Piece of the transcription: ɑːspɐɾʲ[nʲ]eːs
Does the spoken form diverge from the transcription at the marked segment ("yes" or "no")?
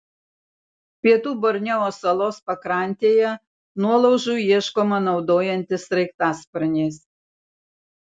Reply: no